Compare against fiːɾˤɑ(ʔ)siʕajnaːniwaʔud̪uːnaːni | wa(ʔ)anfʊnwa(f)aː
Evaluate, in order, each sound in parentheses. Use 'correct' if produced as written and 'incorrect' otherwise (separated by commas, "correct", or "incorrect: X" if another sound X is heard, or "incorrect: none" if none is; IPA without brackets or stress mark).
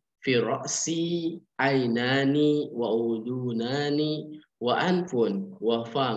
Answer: correct, correct, correct